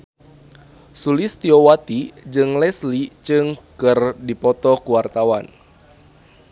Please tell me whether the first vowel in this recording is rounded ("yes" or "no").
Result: yes